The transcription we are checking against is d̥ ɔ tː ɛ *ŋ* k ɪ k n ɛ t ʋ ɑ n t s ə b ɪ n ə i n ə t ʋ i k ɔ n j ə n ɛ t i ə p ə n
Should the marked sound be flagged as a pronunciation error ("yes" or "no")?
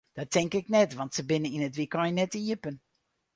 no